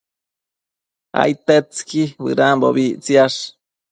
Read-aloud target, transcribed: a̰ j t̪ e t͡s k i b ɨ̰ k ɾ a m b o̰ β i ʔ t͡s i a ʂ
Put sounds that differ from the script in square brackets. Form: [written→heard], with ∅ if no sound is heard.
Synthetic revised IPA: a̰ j t̪ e t͡s k i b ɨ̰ [k→∅] ɾ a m b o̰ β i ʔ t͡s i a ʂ